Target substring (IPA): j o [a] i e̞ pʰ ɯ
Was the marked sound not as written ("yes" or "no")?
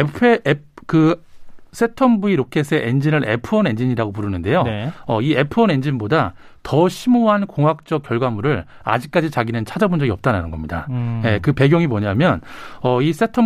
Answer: yes